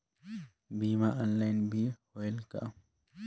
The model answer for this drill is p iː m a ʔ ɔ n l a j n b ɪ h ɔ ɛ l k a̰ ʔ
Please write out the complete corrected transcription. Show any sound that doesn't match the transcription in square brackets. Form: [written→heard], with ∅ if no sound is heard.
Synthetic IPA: [p→b] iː m a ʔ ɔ n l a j n b [ɪ→i] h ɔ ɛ l k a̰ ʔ